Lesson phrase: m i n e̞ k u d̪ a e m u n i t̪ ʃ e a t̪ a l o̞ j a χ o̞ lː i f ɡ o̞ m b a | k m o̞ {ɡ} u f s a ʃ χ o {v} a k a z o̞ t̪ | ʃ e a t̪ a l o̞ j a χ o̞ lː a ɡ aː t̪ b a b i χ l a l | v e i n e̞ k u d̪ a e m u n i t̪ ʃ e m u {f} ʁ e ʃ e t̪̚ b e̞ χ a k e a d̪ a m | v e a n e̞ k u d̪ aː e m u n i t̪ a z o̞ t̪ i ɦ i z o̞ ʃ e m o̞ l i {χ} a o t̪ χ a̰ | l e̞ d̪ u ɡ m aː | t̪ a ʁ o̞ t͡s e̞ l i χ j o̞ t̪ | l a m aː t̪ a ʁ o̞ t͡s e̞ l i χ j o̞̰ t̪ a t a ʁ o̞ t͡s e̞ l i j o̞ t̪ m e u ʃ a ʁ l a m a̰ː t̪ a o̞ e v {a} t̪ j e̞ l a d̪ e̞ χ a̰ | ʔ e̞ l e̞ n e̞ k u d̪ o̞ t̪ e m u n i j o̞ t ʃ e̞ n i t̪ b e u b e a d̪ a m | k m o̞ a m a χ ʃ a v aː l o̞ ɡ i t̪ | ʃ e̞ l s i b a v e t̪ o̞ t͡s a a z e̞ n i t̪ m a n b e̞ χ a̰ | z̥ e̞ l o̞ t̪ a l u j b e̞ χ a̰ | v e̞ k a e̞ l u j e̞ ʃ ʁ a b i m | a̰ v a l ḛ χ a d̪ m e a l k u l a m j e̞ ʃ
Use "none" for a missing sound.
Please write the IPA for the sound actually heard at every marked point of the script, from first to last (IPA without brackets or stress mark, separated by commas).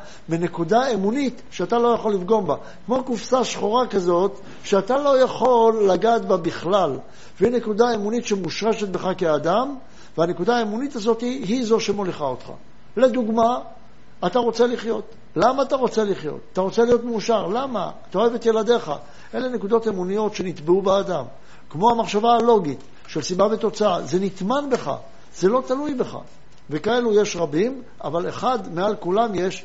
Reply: k, ʁ, ʃ, χ, e